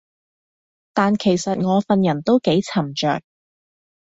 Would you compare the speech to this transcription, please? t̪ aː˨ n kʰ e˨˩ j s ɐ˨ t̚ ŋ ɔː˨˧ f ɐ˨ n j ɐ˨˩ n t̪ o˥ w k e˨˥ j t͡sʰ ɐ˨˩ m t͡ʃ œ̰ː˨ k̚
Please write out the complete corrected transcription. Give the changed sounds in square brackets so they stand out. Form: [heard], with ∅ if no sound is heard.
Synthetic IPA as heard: t̪ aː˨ n kʰ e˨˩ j s ɐ˨ t̚ ŋ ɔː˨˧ f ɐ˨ n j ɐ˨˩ n t̪ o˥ w k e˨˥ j t͡sʰ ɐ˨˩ m t͡ʃ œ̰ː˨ k̚